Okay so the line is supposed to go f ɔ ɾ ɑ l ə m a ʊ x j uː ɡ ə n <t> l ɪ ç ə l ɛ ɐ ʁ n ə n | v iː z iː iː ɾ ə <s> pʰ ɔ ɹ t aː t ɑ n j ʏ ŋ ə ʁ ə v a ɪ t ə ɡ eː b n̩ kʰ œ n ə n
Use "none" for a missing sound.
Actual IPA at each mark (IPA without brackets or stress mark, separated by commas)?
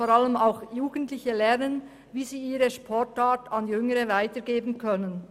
t, ʃ